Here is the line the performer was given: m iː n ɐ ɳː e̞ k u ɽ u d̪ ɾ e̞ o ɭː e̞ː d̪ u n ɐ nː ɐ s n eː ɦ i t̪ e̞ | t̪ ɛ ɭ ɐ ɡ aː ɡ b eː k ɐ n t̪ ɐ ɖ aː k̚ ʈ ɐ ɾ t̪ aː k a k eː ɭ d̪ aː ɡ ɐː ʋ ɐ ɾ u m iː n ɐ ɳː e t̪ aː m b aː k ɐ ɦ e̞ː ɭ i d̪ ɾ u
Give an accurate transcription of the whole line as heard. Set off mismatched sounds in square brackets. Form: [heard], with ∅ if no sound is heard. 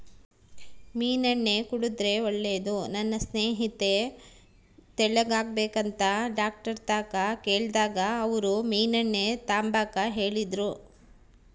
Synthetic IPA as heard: m iː n ɐ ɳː e̞ k u ɽ u d̪ ɾ e̞ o ɭː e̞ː d̪ u n ɐ nː ɐ s n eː ɦ i t̪ e̞ | t̪ ɛ ɭ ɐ ɡ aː ɡ b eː k ɐ n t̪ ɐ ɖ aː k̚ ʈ ɐ ɾ t̪ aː k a k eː ɭ d̪ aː ɡ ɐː ʋ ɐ ɾ u m iː n ɐ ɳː e t̪ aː m b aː k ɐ ɦ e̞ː ɭ i d̪ ɾ u